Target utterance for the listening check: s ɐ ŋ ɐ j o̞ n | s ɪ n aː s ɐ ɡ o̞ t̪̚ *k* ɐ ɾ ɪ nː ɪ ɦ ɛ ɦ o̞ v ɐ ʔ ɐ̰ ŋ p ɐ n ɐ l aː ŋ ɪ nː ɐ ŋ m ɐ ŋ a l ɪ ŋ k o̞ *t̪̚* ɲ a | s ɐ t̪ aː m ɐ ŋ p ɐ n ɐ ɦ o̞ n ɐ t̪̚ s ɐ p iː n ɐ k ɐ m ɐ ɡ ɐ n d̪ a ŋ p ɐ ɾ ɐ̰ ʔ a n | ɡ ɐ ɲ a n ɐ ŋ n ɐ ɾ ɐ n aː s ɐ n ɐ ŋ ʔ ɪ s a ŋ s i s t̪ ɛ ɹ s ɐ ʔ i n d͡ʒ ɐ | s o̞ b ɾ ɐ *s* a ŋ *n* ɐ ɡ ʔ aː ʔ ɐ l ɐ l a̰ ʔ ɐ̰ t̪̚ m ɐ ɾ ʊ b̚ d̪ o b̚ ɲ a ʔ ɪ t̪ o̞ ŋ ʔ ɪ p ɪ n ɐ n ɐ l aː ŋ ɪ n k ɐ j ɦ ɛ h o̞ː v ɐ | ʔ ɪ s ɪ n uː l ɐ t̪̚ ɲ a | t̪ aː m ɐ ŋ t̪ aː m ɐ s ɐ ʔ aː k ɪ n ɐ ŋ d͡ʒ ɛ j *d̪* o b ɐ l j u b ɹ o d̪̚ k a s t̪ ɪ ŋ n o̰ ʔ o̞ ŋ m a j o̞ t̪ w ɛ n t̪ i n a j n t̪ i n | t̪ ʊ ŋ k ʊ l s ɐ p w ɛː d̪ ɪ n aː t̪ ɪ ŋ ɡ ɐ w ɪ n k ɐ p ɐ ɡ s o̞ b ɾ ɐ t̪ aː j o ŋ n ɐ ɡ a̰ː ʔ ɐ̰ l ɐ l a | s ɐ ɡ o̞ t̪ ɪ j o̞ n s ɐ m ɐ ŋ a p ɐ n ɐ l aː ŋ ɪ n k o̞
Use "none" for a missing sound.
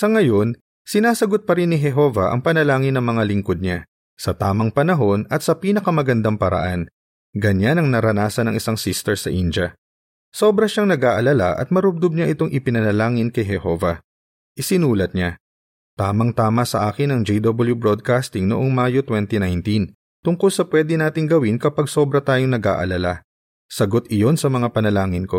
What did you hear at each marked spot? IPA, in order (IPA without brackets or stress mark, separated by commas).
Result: p, d̪̚, ʃ, n, d̪